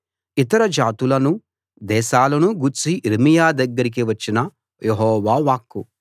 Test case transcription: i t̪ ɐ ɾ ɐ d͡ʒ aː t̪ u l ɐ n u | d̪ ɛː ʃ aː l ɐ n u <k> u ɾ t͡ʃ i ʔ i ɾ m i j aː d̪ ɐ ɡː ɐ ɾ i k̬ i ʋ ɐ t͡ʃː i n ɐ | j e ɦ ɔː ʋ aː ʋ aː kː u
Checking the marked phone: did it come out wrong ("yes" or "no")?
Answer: yes